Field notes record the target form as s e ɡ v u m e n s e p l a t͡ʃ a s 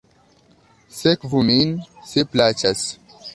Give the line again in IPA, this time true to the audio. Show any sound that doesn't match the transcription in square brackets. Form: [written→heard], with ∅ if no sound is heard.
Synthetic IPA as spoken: s e [ɡ→k] v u m [e→i] n s e p l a t͡ʃ a s

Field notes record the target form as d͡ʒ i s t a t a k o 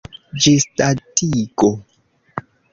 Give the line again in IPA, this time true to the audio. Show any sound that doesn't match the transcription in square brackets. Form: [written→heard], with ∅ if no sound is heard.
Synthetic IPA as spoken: d͡ʒ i s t a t [a→i] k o

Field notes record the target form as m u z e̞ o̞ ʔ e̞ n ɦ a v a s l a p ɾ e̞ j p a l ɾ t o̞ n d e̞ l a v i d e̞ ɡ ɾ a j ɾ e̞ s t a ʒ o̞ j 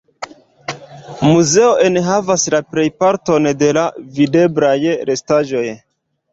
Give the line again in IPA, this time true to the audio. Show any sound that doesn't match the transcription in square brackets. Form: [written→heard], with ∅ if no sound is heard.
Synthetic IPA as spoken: m u z e̞ o̞ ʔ e̞ n ɦ a v a s l a p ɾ e̞ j p a [l→∅] ɾ t o̞ n d e̞ l a v i d e̞ [ɡ→b] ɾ a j ɾ e̞ s t a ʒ o̞ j

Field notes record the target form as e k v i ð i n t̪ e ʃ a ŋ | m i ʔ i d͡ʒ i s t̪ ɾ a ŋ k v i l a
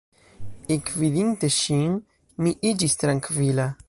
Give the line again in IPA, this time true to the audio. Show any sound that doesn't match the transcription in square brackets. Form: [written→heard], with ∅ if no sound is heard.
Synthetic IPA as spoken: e k v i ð i n t̪ e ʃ [a→i] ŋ | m i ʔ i d͡ʒ i s t̪ ɾ a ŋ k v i l a

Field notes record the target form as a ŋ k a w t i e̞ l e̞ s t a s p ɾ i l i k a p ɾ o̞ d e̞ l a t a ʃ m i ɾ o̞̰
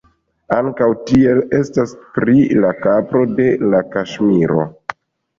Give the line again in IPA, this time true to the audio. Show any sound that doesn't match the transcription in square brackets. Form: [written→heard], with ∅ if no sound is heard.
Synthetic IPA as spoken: a ŋ k a w t i e̞ l e̞ s t a s p ɾ i l [i→a] k a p ɾ o̞ d e̞ l a [t→k] a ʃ m i ɾ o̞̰

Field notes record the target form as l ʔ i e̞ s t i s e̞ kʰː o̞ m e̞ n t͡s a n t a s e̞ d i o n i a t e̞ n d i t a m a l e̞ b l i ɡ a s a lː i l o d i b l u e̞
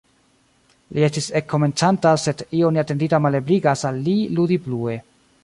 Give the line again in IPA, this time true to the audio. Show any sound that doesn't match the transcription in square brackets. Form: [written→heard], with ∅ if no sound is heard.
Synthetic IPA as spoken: l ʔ i e̞ s t i s e̞ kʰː o̞ m e̞ n t͡s a n t a s e̞ d i o n i a t e̞ n d i t a m a l e̞ b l i ɡ a s a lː i l [o→u] d i b l u e̞

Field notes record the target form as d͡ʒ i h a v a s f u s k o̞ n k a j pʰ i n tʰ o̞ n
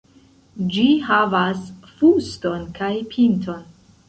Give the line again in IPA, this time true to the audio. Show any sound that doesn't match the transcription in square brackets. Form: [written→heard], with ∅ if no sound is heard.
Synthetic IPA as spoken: d͡ʒ i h a v a s f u s [k→t] o̞ n k a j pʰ i n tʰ o̞ n

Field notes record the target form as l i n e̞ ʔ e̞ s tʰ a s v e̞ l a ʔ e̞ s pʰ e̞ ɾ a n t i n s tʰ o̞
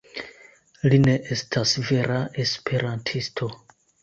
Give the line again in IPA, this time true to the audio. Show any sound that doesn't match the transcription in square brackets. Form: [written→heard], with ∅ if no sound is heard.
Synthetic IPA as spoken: l i n e̞ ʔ e̞ s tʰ a s v e̞ [l→ɾ] a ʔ e̞ s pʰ e̞ ɾ a n [t→tʰ] i [n→∅] s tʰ o̞

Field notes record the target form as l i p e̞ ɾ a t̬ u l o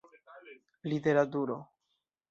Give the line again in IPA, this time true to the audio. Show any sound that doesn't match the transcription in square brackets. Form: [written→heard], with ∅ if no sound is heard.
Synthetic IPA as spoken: l i [p→t] e̞ ɾ a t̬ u [l→ɾ] o

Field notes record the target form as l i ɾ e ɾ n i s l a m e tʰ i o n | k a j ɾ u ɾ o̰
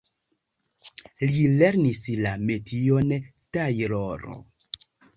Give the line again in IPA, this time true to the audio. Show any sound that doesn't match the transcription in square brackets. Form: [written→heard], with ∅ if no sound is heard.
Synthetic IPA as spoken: l i [ɾ→l] e ɾ n i s l a m e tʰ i o n | [k→t] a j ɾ [u→o] ɾ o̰

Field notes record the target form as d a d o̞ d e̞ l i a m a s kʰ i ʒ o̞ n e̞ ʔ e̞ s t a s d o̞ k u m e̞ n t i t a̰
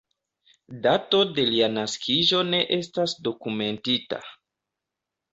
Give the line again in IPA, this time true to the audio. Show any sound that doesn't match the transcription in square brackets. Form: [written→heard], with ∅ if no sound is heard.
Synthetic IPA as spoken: d a [d→t] o̞ d e̞ l i a [m→n] a s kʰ i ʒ o̞ n e̞ ʔ e̞ s t a s d o̞ k u m e̞ n t i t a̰

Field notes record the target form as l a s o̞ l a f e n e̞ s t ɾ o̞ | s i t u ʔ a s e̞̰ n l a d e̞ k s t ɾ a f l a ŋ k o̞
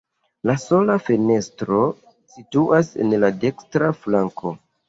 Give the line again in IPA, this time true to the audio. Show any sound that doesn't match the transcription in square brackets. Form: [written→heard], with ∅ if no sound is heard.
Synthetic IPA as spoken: l a s o̞ l a f e n e̞ s t ɾ o̞ | s i t u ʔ a s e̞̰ n l a d e̞ k s t ɾ a f l a ŋ k o̞

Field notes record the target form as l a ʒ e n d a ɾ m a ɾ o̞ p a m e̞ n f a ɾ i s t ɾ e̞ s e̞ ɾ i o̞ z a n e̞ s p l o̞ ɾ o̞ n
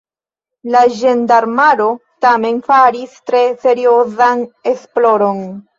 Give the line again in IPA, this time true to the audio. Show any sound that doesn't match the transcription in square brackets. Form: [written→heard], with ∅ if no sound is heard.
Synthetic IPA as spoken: l a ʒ e n d a ɾ m a ɾ o̞ [p→t] a m e̞ n f a ɾ i s t ɾ e̞ s e̞ ɾ i o̞ z a n e̞ s p l o̞ ɾ o̞ n

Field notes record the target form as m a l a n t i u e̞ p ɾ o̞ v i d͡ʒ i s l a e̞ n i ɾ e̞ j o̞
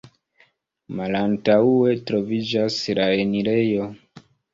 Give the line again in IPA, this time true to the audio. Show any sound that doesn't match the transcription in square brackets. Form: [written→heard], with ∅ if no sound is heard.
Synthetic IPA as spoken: m a l a n t [i→a] u e̞ [p→t] ɾ o̞ v i d͡ʒ [i→a] s l a e̞ n i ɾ e̞ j o̞

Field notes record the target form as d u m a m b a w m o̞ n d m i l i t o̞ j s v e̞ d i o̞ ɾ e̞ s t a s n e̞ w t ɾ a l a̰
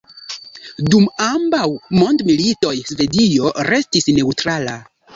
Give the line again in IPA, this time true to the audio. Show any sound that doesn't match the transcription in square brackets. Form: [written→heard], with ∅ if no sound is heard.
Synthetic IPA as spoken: d u m a m b a w m o̞ n d m i l i t o̞ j s v e̞ d i o̞ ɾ e̞ s t [a→i] s n e̞ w t ɾ a l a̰

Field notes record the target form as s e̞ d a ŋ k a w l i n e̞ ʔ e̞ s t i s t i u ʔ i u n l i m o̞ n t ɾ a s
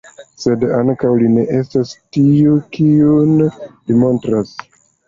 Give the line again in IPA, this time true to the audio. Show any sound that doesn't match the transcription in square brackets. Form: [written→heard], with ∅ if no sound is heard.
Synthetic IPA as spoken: s e̞ d a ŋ k a w l i n e̞ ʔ e̞ s t [i→a] s t i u [ʔ→k] i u n l i m o̞ n t ɾ a s

